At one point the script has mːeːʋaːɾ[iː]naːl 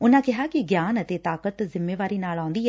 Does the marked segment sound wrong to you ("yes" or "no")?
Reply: no